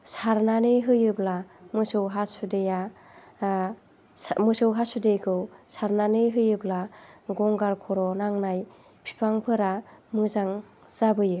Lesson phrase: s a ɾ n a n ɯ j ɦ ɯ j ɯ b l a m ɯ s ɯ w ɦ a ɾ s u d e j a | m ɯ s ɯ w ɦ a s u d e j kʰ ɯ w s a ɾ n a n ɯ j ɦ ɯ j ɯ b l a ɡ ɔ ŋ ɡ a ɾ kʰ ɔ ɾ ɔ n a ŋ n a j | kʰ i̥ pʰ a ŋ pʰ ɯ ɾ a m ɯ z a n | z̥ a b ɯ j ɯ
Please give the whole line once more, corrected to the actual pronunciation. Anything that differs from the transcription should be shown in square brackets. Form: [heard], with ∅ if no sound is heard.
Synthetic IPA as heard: s a ɾ n a n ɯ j ɦ ɯ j ɯ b l a m ɯ s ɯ w ɦ a [∅] s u d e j a | m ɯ s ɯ w ɦ a s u d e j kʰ ɯ w s a ɾ n a n ɯ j ɦ ɯ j ɯ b l a ɡ ɔ ŋ ɡ a ɾ kʰ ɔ ɾ ɔ n a ŋ n a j | [pʰ] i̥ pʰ a ŋ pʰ ɯ ɾ a m ɯ z a [ŋ] | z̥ a b ɯ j ɯ